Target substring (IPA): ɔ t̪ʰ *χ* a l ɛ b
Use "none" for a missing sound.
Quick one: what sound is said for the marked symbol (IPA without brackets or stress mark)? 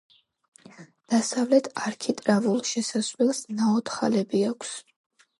χ